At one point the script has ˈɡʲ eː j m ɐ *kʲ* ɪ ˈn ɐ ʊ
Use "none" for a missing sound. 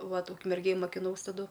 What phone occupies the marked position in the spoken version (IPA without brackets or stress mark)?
kʲ